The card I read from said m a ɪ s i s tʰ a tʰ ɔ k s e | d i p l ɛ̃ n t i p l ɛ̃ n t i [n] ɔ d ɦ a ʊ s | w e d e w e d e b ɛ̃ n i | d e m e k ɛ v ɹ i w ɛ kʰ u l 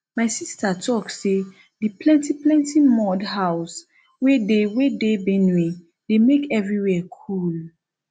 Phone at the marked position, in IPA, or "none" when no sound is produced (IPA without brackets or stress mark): m